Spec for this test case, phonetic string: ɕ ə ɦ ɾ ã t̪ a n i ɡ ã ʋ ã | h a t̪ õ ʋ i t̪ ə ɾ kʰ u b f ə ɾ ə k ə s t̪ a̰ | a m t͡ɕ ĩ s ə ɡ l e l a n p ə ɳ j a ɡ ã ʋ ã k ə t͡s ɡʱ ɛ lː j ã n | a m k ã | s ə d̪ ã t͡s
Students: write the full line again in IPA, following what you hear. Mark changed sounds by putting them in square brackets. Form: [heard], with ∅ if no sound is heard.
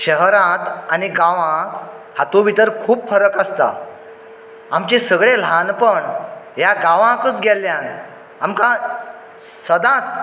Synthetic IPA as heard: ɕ ə ɦ ɾ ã t̪ a n i ɡ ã ʋ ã | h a t̪ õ ʋ i t̪ ə ɾ kʰ [uː] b f ə ɾ ə k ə s t̪ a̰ | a m t͡ɕ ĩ s ə ɡ [ɭ] e l a n p ə ɳ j a ɡ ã ʋ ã k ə t͡s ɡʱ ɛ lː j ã n | a m k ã | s ə d̪ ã t͡s

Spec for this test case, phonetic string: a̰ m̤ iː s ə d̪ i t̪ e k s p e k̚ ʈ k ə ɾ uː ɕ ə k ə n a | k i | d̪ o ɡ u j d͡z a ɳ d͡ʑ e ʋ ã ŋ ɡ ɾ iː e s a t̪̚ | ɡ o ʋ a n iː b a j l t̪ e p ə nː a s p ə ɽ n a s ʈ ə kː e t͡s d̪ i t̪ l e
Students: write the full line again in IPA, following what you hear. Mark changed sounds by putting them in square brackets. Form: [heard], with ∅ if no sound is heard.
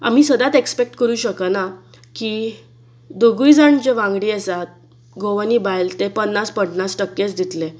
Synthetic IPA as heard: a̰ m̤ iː s ə d̪ [a] t̪ e k s p e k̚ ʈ k ə ɾ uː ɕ ə k ə n a | k i | d̪ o ɡ u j d͡z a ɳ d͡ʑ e ʋ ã ŋ ɡ [ɽ] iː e s a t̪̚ | ɡ o ʋ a n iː b a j l t̪ e p ə nː a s p ə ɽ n a s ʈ ə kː e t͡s d̪ i t̪ l e

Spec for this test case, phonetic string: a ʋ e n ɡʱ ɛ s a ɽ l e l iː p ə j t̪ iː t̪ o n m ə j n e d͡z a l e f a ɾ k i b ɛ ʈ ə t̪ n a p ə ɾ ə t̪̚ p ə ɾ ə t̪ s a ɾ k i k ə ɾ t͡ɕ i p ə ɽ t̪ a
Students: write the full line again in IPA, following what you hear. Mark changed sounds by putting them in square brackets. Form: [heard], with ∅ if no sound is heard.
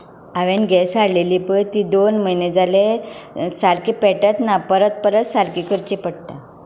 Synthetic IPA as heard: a ʋ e n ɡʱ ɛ s a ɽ l e l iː p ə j t̪ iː [d̪] o n m ə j n e d͡z a l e [s] a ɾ k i [p] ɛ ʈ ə t̪ n a p ə ɾ ə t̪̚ p ə ɾ ə t̪ s a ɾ k i k ə ɾ t͡ɕ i p ə ɽ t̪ a

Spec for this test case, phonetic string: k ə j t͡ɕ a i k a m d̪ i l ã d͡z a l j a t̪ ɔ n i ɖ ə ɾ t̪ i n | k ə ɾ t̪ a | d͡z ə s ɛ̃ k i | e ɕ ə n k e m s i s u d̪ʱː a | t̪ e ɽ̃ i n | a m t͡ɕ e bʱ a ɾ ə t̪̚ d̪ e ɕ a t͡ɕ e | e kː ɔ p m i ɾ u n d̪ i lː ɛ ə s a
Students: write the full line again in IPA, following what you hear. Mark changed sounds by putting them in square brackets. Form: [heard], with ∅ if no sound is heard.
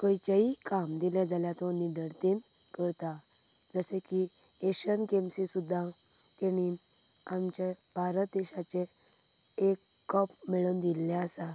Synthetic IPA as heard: k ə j t͡ɕ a i k a m d̪ i l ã d͡z a l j a t̪ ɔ n i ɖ ə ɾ t̪ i n | k ə ɾ t̪ a | d͡z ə s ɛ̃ k i | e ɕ ə n k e m s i s u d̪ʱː a | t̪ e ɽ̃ i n | a m t͡ɕ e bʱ a ɾ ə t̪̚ d̪ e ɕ a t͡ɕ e | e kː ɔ p m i [ɭ] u n d̪ i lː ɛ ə s a

